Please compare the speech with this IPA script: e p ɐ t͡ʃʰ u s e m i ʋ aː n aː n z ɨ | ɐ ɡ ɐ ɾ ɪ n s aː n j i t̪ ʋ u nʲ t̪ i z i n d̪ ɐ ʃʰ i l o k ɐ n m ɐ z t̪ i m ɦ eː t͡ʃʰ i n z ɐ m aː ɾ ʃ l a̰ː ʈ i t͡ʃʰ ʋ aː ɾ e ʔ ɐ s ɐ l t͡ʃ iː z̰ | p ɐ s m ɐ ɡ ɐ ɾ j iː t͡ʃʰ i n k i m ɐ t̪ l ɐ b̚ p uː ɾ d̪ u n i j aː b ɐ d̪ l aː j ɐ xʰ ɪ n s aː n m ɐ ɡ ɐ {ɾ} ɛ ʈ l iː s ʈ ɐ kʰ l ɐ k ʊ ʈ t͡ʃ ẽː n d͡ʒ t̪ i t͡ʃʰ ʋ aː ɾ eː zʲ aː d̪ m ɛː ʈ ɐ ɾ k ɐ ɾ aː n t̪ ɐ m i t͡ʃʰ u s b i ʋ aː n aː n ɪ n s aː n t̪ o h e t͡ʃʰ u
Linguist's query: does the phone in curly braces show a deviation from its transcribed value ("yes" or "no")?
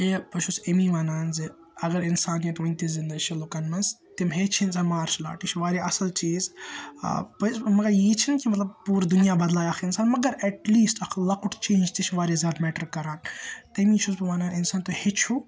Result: no